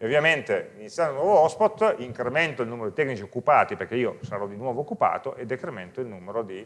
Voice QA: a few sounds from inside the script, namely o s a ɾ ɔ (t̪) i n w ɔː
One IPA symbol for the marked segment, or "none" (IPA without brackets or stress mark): d̪